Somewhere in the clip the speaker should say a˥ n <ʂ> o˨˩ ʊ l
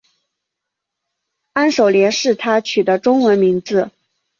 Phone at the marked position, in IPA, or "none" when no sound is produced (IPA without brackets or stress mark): ʂ